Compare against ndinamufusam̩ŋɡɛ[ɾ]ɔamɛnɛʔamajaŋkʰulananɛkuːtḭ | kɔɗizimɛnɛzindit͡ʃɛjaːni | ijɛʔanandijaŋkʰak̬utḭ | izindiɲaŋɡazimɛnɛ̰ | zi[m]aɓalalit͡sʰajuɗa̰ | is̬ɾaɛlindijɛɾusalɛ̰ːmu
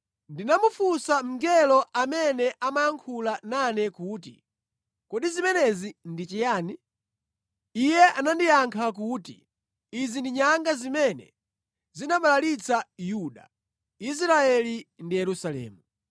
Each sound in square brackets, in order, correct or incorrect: incorrect: l, incorrect: n

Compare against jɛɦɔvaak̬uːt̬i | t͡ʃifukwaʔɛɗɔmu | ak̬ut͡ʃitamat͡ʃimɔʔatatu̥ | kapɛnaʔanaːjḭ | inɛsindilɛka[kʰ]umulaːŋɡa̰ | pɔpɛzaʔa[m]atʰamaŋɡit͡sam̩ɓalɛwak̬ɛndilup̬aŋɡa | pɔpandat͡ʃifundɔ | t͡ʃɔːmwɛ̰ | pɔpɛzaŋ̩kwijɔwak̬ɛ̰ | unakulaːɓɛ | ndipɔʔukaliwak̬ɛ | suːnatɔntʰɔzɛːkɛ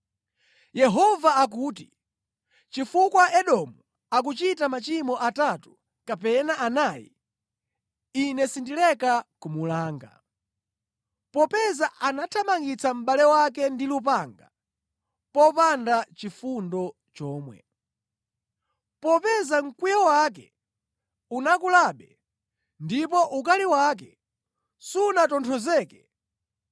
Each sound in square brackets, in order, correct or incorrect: incorrect: k, incorrect: n

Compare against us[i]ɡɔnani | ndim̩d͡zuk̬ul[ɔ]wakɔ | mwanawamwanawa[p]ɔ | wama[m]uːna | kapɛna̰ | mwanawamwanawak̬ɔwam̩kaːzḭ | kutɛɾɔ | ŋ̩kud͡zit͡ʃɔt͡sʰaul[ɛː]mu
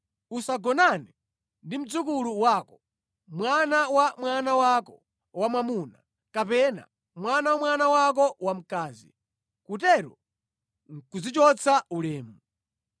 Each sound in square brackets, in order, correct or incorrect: incorrect: a, incorrect: u, incorrect: k, correct, correct

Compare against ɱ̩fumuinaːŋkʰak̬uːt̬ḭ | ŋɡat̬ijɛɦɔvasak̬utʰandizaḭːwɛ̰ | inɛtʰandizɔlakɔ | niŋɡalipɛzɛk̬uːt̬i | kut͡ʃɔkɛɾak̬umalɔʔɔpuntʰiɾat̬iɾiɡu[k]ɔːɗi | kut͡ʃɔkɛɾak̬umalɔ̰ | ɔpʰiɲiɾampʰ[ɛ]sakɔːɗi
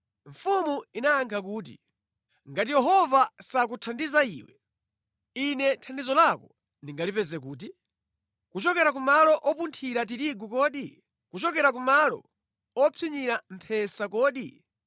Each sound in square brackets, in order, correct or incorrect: correct, correct

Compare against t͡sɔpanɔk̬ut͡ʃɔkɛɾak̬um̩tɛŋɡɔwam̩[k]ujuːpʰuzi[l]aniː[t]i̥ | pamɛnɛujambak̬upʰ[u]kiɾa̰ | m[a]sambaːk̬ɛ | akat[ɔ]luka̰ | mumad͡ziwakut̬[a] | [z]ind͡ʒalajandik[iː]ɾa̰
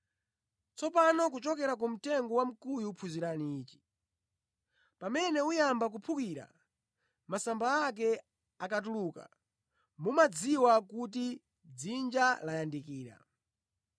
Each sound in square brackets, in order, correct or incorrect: correct, incorrect: ɾ, incorrect: t͡ʃ, correct, correct, incorrect: u, incorrect: i, incorrect: d͡z, correct

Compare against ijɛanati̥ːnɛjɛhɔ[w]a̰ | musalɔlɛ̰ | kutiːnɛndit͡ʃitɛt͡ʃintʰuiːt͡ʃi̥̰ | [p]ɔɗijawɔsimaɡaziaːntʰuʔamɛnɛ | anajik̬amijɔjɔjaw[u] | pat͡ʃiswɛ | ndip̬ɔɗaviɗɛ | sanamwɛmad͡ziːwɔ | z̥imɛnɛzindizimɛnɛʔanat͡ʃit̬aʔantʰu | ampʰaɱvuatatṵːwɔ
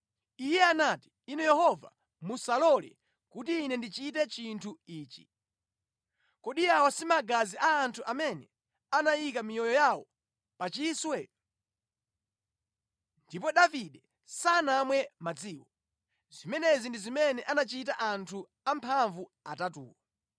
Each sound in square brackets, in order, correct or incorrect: incorrect: v, incorrect: k, incorrect: ɔ

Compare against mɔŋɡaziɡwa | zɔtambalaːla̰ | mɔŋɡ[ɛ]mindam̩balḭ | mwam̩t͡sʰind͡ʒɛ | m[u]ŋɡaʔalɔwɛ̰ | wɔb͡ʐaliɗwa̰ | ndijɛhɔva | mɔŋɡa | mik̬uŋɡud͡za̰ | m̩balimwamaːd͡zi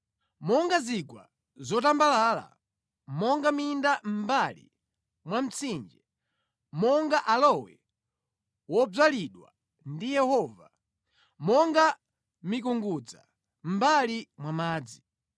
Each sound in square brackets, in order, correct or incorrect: incorrect: a, incorrect: ɔ

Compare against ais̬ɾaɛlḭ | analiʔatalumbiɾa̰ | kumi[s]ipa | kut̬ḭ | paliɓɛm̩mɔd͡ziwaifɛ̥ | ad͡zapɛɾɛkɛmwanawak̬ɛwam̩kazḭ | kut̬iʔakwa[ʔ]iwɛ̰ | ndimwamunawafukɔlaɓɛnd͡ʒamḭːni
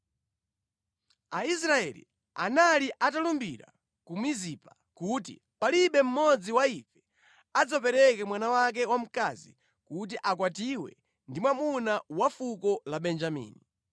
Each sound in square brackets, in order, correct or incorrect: incorrect: z, incorrect: t

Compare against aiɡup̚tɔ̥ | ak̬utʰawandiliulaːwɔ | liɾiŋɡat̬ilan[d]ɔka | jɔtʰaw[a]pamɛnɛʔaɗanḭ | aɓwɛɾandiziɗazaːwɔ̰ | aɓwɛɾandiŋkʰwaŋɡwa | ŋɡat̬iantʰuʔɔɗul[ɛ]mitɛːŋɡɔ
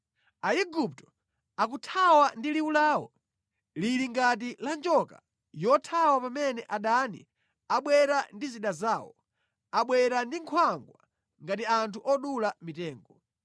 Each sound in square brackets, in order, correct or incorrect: incorrect: d͡ʒ, correct, incorrect: a

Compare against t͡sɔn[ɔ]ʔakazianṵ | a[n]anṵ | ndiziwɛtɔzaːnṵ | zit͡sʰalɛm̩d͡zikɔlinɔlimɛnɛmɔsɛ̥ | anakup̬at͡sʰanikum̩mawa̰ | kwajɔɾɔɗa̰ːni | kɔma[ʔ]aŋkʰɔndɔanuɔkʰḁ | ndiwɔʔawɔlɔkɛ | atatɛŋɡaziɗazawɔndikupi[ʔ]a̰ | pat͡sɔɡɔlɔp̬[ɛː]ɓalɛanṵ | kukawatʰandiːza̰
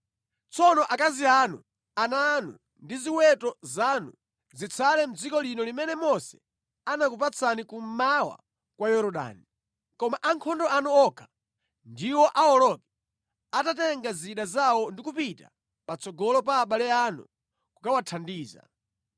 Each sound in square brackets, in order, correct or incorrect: correct, correct, correct, incorrect: t, incorrect: aː

